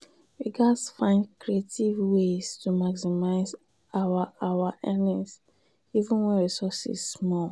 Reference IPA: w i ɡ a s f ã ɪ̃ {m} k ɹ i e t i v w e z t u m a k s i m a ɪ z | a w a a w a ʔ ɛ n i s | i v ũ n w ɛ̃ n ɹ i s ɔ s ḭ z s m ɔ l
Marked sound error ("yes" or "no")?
yes